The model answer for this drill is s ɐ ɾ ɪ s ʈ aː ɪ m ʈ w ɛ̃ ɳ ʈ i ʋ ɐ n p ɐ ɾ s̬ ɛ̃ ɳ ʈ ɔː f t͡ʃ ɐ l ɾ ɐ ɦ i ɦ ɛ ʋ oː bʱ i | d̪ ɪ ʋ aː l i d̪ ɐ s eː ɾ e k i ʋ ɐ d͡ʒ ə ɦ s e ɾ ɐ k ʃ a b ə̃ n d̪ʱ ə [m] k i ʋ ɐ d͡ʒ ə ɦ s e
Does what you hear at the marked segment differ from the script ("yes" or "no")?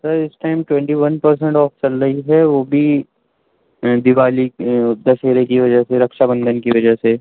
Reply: yes